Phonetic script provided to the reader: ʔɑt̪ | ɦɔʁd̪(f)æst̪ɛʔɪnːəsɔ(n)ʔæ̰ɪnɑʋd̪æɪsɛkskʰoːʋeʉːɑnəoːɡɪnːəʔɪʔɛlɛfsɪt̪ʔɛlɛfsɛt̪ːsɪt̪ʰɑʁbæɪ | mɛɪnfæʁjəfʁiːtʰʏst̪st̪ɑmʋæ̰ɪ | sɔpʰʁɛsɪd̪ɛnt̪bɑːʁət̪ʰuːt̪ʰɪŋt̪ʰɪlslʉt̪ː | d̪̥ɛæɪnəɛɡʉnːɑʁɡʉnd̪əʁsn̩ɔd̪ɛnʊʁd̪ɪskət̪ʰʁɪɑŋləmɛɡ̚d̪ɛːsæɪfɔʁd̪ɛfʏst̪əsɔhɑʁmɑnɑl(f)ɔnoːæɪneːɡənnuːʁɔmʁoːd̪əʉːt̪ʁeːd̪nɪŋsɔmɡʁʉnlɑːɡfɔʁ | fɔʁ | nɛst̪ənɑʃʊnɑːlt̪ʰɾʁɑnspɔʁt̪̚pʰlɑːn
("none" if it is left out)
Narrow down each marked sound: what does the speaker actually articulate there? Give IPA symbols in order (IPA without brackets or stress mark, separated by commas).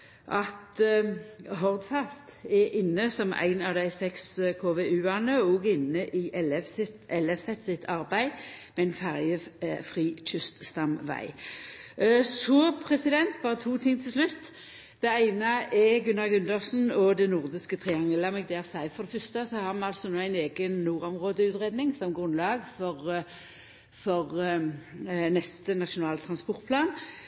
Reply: f, m, s